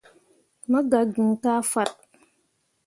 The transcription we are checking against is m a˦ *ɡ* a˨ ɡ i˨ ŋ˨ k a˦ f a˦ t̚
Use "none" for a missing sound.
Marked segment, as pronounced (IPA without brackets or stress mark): ɡ